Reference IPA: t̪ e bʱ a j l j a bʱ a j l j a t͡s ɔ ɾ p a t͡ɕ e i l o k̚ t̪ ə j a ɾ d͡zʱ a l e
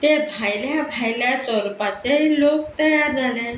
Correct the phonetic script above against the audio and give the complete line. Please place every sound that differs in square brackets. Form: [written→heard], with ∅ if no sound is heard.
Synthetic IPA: t̪ e bʱ a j l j a bʱ a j l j a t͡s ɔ ɾ p a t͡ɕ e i l o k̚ t̪ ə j a ɾ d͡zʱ a l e